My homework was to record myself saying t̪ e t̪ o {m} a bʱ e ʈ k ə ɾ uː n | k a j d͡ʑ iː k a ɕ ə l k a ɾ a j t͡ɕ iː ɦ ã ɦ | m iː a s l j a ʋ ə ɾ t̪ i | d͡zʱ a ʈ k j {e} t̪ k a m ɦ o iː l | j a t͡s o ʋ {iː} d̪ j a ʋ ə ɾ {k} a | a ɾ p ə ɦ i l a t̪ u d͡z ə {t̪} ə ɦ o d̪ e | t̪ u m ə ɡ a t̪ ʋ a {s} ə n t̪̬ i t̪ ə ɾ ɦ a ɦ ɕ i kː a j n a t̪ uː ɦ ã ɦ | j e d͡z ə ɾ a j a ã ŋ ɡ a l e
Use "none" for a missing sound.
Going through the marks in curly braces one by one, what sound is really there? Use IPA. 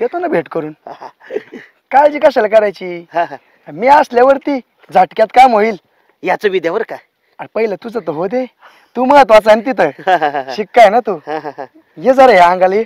n, a, i, k, t̪, t͡s

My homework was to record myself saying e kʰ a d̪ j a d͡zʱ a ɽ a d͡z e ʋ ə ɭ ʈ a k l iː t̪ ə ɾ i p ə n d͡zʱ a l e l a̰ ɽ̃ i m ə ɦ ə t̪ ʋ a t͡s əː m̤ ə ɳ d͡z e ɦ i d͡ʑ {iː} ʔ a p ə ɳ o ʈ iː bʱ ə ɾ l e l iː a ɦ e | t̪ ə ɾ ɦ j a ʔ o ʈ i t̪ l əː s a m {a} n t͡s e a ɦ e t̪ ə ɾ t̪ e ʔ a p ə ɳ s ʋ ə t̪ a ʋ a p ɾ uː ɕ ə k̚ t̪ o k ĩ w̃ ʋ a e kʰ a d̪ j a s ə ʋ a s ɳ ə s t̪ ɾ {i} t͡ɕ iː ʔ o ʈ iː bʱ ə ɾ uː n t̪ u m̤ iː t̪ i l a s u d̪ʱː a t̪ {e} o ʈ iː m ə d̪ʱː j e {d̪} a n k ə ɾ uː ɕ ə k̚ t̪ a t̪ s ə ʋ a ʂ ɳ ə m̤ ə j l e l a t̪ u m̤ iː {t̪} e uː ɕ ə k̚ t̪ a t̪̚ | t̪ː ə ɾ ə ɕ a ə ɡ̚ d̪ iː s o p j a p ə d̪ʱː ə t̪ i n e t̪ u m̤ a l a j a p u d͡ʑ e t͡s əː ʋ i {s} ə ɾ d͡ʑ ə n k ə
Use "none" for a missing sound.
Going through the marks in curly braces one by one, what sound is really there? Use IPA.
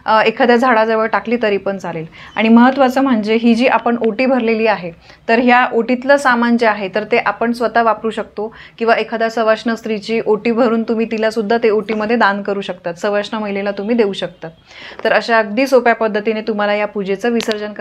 iː, a, i, e, d̪, d̪, s

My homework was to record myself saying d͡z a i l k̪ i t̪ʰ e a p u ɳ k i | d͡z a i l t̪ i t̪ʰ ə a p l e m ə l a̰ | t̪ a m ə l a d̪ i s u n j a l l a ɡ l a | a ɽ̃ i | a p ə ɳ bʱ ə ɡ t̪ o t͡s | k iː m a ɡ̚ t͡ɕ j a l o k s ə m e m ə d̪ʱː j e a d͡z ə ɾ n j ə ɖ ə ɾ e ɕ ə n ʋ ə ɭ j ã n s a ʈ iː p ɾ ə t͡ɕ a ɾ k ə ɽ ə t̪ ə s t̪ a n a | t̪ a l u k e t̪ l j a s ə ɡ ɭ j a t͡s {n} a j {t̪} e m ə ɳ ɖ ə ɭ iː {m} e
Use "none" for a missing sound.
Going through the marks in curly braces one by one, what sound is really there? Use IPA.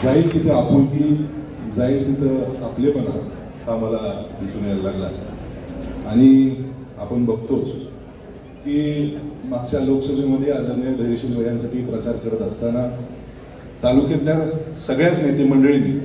n, t̪, n

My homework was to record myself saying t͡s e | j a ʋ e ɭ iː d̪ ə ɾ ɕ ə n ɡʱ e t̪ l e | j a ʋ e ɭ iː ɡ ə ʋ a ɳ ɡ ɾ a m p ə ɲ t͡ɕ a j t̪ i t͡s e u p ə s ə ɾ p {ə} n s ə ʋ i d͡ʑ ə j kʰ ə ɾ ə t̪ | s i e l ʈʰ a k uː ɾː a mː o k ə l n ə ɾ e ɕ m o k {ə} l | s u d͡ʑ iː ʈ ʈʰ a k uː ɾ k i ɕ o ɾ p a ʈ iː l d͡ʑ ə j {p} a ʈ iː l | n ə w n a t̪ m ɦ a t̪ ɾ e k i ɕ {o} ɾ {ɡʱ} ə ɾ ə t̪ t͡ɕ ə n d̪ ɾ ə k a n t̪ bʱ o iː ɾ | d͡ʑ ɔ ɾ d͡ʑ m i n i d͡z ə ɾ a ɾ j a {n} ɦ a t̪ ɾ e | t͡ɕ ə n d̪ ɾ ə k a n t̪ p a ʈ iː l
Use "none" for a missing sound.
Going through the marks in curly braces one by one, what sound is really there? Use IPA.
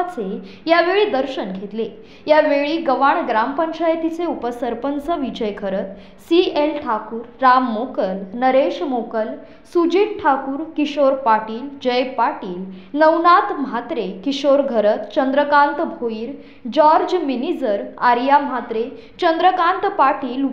ə, ə, p, o, ɡʱ, m

